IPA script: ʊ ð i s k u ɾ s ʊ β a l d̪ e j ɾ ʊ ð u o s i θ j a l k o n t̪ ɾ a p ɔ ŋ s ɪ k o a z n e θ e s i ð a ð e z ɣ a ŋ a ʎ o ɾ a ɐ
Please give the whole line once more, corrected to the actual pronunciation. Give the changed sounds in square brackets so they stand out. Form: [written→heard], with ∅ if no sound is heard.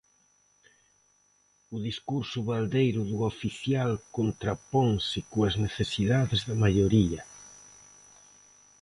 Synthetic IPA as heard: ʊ ð i s k u ɾ s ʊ β a l d̪ e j ɾ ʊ ð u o [s→f] i θ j a l k o n t̪ ɾ a p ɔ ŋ s ɪ k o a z n e θ e s i ð a ð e z [ɣ→ð] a [ŋ→m] a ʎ o ɾ [a→i] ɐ